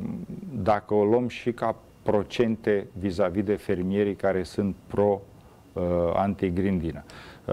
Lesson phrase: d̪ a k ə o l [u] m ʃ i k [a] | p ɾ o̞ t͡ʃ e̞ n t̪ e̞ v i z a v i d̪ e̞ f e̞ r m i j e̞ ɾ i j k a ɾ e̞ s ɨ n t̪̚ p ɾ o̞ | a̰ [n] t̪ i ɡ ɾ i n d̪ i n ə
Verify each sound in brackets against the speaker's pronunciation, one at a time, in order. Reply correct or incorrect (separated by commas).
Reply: incorrect, correct, correct